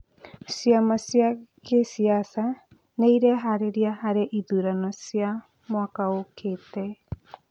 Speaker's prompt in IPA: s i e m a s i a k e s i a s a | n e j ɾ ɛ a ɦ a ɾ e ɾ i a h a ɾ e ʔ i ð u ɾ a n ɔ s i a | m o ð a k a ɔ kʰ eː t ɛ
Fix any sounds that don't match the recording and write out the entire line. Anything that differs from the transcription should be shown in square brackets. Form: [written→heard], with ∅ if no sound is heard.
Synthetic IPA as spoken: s i [e→a] m a s i a k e s i a s a | n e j ɾ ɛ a ɦ a ɾ e ɾ i a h a ɾ e ʔ i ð u ɾ a n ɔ s i a | m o [ð→∅] a k a [ɔ→o] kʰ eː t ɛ